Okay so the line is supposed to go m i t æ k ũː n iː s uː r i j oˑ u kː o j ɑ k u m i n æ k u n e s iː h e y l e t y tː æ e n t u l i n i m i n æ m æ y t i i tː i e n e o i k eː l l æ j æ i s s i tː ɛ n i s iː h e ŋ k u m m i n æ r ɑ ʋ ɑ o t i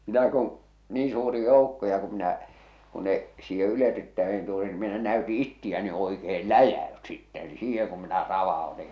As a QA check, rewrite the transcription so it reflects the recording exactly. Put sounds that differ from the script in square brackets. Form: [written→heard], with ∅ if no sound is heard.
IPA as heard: m i t æ k ũː n iː s uː r i j oˑ u kː o j ɑ k u m i n æ k u n e s iː h e y l e t y tː æ e n t u l i n i m i n æ [m→n] æ y t i i tː i [e→æ] n e o i k eː l l æ j æ [i→y] s s i tː ɛ n i s iː h e ŋ k u m m i n æ r ɑ ʋ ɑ o t i